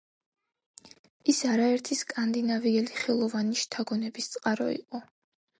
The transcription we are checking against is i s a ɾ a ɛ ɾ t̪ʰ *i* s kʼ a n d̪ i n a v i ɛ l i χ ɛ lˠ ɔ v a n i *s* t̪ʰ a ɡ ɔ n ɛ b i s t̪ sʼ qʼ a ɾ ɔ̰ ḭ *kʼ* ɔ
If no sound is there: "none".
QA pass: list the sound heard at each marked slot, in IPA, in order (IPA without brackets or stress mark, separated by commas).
i, ʃ, qʼ